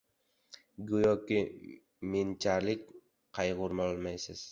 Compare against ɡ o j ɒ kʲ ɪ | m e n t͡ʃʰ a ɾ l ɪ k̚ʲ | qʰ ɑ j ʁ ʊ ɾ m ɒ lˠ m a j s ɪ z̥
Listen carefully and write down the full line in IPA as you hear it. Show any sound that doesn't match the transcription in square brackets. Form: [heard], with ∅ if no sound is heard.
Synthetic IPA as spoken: ɡ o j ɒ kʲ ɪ | m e n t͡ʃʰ a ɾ l ɪ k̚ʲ | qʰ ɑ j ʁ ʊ ɾ m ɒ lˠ m a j s ɪ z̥